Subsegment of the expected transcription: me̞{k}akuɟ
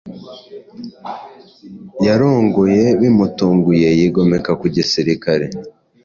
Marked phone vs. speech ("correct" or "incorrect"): correct